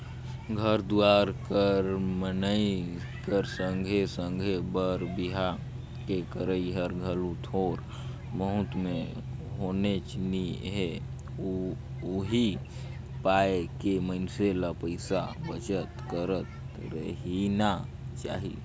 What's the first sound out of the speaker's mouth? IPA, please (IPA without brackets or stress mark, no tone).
ɡʱ